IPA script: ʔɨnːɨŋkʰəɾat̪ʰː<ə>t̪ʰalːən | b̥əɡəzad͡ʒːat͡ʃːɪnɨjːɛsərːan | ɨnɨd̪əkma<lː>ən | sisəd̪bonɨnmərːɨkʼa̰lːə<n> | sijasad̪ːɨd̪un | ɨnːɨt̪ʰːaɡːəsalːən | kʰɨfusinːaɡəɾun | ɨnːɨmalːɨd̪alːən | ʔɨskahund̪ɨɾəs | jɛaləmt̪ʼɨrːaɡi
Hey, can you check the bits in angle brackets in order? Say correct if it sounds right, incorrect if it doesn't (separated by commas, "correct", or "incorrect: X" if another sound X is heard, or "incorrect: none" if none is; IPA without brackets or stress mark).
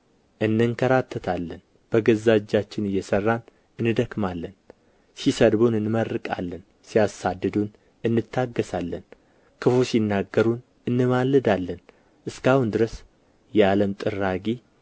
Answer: correct, correct, correct